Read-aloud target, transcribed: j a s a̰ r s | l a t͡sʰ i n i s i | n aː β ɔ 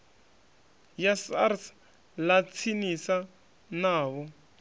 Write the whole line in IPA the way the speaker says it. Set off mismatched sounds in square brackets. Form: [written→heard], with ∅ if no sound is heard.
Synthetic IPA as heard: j a s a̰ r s | l a t͡sʰ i n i s [i→a] | n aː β ɔ